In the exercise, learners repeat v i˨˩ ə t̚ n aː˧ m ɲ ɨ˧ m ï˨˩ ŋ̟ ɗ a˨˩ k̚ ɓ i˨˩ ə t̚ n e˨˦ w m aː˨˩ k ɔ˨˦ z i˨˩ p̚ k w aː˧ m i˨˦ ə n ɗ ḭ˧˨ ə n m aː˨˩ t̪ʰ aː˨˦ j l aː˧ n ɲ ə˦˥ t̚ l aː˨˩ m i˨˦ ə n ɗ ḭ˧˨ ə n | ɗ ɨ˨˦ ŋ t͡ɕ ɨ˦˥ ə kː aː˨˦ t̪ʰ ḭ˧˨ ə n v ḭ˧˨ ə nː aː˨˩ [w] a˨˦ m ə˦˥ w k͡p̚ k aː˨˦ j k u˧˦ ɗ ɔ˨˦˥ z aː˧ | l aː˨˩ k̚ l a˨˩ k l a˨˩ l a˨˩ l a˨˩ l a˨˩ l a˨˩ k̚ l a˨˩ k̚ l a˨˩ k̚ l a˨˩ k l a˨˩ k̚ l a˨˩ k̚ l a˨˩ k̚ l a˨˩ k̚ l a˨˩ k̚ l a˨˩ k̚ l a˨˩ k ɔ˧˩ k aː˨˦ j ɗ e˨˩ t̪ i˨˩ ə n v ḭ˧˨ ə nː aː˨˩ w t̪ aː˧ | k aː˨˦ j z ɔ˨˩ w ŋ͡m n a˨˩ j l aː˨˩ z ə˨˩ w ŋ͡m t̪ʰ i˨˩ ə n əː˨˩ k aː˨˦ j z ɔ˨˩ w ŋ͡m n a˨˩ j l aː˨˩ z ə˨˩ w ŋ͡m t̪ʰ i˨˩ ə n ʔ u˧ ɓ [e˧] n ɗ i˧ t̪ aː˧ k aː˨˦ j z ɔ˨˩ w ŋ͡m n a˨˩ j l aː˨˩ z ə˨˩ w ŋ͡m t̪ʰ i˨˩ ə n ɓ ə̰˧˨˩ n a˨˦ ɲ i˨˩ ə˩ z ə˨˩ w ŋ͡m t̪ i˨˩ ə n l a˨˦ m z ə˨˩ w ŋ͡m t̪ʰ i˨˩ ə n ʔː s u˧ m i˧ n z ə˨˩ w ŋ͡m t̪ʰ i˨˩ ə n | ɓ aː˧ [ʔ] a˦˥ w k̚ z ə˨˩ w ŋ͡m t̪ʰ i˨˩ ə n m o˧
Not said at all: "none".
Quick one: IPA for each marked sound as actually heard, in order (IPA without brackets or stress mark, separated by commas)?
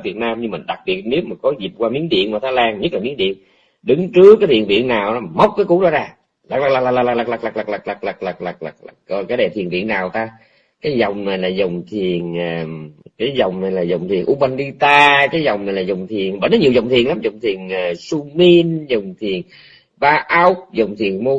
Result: w, a˧, ʔ